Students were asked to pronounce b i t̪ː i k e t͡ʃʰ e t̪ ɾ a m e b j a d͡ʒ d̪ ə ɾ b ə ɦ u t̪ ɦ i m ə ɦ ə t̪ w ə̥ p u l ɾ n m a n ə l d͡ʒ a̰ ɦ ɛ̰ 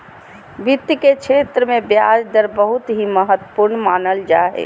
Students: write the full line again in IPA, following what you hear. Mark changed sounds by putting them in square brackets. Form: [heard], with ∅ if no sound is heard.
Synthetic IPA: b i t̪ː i k e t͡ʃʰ e t̪ ɾ [ə] m e b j a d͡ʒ d̪ ə ɾ b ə ɦ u t̪ ɦ i m ə ɦ ə t̪ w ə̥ p u [∅] ɾ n m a n ə l d͡ʒ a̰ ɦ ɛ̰